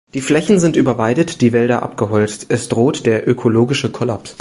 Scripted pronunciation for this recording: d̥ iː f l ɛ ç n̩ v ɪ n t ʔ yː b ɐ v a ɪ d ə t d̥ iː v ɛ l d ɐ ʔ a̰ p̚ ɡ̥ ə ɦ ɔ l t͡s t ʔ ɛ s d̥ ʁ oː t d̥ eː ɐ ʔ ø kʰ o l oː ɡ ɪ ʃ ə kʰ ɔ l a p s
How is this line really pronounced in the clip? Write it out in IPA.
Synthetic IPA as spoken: d̥ iː f l ɛ ç n̩ z ɪ n t ʔ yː b ɐ v a ɪ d ə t d̥ iː v ɛ l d ɐ ʔ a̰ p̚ ɡ̥ ə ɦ ɔ l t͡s t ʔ ɛ s d̥ ʁ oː t d̥ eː ɐ ʔ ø kʰ o l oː ɡ ɪ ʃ ə kʰ ɔ l a p s